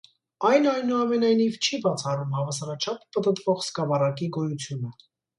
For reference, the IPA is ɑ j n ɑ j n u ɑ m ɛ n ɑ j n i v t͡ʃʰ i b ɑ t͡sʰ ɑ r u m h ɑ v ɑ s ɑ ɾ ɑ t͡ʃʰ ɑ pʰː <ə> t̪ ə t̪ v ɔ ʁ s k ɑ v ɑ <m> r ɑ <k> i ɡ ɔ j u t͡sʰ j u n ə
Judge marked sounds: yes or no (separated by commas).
yes, no, yes